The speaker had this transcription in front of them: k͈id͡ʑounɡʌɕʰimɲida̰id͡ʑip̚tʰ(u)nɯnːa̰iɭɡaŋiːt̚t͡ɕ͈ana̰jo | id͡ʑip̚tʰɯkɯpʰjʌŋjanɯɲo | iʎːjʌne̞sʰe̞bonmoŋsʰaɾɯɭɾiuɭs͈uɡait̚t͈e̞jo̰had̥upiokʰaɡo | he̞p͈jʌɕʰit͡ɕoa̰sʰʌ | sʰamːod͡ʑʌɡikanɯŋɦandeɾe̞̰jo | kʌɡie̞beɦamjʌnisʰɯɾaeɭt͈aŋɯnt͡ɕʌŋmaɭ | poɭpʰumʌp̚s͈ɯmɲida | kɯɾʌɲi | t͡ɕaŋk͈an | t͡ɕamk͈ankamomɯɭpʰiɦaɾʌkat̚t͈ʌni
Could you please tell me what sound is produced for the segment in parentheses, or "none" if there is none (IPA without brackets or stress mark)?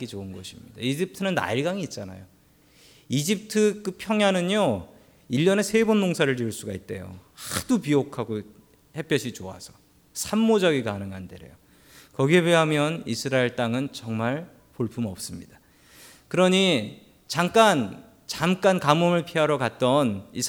ɯ